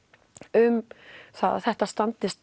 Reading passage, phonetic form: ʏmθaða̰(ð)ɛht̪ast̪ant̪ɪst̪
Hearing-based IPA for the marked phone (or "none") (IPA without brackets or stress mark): θ